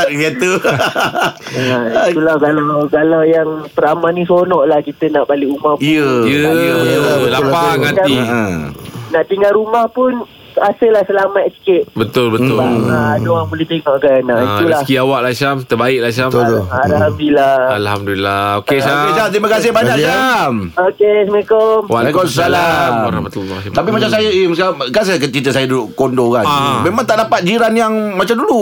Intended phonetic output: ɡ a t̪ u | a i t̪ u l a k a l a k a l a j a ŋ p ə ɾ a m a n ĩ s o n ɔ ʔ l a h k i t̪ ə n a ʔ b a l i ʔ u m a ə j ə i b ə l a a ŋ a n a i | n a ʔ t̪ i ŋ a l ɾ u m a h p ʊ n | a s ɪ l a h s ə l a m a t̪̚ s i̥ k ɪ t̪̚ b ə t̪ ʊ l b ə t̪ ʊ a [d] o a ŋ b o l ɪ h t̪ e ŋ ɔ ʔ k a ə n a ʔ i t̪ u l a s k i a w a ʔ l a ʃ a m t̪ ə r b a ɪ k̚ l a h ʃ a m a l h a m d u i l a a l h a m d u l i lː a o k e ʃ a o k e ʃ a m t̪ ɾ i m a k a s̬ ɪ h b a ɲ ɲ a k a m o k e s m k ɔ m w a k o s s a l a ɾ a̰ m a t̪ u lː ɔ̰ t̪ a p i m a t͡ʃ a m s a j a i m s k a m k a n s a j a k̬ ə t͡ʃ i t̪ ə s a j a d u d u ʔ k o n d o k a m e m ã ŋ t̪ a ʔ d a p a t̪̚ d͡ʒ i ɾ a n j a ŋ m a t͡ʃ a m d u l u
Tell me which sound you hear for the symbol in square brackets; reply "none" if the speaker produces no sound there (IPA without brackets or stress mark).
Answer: d